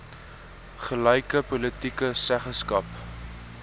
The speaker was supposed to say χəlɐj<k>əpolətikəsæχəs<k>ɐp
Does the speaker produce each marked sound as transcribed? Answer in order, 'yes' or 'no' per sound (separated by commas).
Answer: yes, yes